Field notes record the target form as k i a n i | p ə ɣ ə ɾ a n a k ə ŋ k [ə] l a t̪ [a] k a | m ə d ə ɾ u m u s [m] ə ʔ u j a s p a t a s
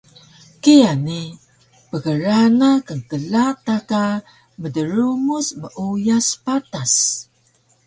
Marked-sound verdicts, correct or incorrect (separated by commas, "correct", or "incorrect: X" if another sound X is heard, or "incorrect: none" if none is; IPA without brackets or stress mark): correct, correct, correct